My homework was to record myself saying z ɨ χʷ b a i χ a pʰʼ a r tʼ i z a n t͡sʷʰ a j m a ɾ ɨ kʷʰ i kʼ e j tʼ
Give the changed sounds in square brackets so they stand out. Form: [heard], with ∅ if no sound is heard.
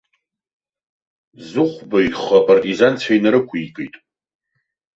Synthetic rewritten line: z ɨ χʷ b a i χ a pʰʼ a r tʼ i z a n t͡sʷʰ a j [n] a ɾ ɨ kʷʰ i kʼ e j tʼ